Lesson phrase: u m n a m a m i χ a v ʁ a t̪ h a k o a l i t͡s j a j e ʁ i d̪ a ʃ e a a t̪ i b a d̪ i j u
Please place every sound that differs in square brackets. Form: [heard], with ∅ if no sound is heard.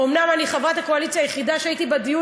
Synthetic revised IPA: [o] m n a m a [n] i χ a v ʁ a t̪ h a k o a l i t͡s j a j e [χ] i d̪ a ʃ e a [i] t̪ i b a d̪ i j u